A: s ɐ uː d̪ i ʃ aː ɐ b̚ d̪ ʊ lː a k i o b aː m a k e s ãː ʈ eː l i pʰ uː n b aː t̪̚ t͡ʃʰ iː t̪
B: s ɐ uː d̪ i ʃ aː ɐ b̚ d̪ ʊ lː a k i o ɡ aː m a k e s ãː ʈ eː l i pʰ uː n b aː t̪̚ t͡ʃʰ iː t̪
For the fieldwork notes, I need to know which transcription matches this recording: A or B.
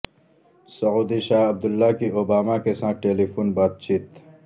A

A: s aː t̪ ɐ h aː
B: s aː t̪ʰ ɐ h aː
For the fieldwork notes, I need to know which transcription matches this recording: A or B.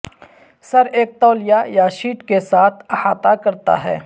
B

